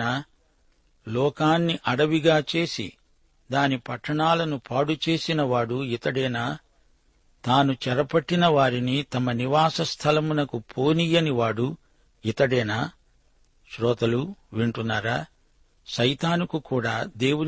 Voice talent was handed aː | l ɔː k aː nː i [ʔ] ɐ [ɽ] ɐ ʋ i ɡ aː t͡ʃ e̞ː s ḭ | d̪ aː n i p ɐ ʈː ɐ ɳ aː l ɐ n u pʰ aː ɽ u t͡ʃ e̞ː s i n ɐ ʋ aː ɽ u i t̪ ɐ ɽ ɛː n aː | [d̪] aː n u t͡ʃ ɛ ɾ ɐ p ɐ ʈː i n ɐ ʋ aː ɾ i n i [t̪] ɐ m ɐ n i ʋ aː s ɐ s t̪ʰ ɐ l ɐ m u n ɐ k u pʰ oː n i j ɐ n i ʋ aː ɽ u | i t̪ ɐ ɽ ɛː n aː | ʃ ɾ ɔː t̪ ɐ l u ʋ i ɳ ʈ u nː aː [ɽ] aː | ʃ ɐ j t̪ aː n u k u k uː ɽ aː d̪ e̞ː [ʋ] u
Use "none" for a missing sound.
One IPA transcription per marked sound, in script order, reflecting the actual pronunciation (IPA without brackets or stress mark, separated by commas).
ʔ, ɽ, t̪, t̪, ɾ, w